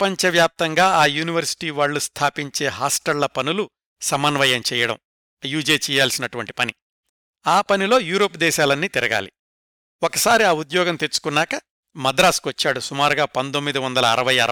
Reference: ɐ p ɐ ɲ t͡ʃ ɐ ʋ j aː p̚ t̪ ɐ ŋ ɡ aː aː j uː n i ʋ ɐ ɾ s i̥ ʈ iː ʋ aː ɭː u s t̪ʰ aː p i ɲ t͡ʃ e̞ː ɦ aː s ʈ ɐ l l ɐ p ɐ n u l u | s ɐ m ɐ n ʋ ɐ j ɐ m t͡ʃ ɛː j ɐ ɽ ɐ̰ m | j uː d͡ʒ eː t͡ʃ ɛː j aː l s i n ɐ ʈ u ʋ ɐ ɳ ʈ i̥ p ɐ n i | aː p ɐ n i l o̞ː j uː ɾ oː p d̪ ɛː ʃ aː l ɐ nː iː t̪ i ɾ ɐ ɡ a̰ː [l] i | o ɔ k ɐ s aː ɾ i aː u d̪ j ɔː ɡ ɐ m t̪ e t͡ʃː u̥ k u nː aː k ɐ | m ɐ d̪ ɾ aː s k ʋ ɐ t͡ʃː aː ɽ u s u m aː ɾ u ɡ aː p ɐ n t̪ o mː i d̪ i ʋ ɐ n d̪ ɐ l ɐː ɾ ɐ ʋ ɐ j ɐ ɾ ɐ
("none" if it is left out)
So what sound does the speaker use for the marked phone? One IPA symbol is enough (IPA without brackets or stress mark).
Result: l